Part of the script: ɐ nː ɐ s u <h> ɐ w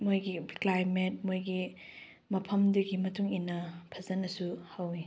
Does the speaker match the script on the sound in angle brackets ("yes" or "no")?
yes